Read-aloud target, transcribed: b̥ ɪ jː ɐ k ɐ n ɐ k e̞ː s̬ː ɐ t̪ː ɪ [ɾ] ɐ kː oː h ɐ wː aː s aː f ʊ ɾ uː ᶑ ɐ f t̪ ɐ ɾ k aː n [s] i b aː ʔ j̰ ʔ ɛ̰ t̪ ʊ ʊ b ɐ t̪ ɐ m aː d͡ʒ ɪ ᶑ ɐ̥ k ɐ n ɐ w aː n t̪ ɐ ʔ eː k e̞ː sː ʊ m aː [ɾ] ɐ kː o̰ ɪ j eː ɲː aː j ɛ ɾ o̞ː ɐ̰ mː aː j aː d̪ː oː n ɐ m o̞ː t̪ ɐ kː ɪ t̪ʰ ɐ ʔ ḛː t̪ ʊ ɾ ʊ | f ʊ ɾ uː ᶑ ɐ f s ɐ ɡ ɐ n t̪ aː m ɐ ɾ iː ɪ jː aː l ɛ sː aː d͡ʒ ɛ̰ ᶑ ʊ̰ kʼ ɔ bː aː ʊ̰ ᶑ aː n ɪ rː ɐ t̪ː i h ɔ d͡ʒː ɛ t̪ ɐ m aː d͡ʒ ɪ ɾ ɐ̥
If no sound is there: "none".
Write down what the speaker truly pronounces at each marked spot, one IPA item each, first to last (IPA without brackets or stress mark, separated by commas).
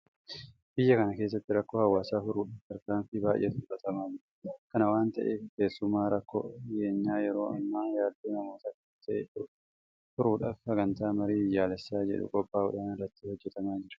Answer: ɾ, f, ɾ